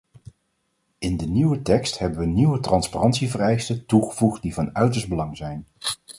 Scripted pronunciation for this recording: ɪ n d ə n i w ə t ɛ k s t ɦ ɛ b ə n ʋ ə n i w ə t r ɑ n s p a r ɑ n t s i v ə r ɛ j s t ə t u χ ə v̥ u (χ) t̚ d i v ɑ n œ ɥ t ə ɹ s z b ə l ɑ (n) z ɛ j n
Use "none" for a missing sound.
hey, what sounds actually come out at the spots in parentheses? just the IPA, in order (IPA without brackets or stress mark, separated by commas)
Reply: χ, ŋ